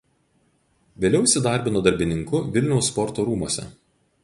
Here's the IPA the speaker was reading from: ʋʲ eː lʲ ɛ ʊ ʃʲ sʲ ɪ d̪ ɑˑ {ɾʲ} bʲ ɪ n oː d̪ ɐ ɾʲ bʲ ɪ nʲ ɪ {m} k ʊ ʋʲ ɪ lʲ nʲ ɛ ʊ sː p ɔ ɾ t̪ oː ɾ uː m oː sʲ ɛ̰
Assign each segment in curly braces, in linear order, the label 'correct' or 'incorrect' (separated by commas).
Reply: correct, incorrect